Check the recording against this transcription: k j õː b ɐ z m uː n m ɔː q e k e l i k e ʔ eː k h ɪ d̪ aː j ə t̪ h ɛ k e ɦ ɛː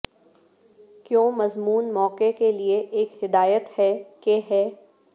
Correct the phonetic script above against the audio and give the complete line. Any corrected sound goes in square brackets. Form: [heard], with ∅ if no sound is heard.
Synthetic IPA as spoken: k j õː [m] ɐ z m uː n m ɔː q e k e l i [∅] e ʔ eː k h ɪ d̪ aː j ə t̪ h ɛ k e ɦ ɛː